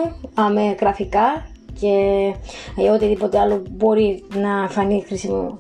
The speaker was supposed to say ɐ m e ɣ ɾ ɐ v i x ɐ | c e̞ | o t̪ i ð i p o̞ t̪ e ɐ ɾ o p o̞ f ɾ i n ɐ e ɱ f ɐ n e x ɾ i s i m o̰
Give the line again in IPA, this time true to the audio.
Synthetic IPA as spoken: ɐ m e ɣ ɾ ɐ f i k ɐ | c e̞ | o t̪ i ð i p o̞ t̪ e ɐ l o b o̞ ɾ i n ɐ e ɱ f ɐ n i x ɾ i s i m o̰